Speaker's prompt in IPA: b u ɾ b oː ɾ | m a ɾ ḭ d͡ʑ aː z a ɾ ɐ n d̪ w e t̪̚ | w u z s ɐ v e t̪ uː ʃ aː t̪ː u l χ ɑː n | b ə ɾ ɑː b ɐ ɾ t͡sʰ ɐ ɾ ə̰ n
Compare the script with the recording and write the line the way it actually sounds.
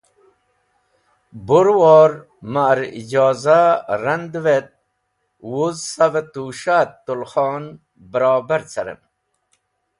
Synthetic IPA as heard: b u ɾ w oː ɾ | m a ɾ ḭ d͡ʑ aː z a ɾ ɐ n d̪ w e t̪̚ | w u z s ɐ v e t̪ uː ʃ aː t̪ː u l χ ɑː n | b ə ɾ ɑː b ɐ ɾ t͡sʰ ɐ ɾ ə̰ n